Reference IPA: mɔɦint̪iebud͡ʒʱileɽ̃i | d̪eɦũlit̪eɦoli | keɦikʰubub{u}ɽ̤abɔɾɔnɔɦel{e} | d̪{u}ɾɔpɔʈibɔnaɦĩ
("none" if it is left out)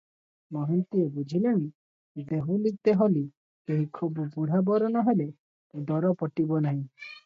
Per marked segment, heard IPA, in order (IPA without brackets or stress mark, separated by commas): u, e, ɔ